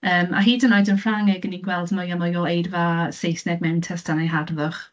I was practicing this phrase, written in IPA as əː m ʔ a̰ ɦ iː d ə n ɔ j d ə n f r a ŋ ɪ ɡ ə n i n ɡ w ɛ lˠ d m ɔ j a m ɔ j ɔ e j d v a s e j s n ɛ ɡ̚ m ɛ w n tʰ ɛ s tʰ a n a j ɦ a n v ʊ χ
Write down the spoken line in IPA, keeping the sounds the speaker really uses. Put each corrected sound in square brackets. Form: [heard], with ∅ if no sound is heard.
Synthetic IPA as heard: əː m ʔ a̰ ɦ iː d ə n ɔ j d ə n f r a ŋ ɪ ɡ ə n i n ɡ w ɛ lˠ d m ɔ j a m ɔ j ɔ e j d v a s e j s n ɛ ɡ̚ m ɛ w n tʰ ɛ s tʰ a n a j ɦ a [d] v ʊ χ